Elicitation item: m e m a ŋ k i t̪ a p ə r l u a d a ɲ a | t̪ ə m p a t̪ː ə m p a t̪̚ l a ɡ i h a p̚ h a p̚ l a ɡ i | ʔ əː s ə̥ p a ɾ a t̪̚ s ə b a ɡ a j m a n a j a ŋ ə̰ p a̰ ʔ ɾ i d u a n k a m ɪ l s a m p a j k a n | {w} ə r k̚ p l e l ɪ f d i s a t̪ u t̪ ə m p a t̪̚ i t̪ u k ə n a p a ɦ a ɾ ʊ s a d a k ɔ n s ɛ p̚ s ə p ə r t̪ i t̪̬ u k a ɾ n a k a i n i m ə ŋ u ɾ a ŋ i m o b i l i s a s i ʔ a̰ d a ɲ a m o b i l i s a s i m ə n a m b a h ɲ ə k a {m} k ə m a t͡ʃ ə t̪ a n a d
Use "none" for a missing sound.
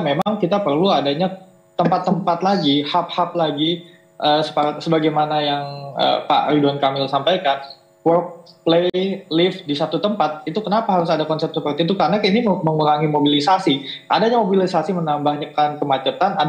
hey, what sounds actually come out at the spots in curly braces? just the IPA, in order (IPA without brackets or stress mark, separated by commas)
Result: w, n